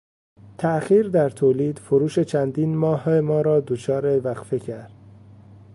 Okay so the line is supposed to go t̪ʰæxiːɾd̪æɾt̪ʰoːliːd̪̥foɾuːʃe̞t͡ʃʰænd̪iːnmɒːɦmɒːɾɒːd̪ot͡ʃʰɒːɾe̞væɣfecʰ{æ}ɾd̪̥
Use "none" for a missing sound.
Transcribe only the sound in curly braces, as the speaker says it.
æ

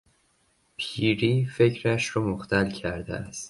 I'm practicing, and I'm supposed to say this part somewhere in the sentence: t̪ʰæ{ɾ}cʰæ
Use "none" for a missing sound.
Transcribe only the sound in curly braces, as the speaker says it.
l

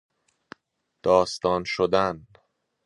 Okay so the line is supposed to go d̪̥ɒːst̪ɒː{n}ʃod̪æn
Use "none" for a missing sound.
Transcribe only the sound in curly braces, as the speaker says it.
n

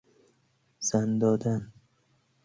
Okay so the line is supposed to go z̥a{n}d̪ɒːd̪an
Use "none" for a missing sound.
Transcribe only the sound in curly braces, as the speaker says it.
n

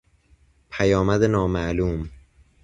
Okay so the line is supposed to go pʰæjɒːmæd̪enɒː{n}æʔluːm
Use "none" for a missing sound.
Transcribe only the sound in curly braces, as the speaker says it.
m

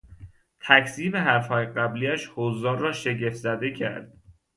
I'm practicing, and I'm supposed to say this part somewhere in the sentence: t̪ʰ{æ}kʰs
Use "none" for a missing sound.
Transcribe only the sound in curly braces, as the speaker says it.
æ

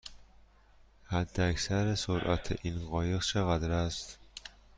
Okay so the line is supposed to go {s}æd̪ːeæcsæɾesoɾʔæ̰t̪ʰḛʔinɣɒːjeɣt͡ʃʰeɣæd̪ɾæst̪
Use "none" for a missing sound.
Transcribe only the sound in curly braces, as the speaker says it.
h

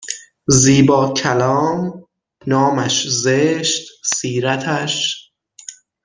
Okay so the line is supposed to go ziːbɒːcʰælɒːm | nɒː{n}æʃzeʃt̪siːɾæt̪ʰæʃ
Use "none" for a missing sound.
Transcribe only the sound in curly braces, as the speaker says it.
m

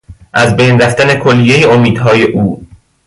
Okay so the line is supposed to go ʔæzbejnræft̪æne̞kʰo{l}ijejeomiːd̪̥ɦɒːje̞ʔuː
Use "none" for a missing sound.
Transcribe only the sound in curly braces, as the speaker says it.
lː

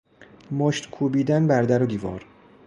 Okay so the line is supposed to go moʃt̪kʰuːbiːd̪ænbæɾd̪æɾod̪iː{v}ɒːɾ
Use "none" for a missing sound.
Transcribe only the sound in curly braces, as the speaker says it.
v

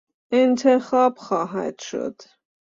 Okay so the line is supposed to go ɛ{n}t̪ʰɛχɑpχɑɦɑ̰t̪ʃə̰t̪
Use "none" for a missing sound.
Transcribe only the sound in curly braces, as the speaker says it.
n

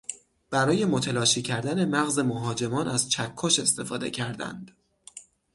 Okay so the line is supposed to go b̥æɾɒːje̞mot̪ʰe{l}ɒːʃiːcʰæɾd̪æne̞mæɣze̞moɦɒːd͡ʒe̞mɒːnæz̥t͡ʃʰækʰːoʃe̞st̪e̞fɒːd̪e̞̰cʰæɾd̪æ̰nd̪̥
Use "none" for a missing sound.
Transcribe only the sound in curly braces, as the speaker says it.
l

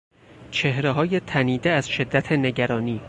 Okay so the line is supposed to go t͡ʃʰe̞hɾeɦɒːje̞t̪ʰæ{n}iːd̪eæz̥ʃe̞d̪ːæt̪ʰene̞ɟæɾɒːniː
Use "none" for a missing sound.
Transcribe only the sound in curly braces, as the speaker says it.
n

